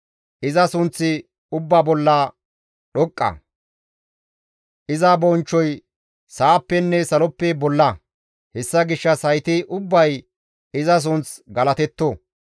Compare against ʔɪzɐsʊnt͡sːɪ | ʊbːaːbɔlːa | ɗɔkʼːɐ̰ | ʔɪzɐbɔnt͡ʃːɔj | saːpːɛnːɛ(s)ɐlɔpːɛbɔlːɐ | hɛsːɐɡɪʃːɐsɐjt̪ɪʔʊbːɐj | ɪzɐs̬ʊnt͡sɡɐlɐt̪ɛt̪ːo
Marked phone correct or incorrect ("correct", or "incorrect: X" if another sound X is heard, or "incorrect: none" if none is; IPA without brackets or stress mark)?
correct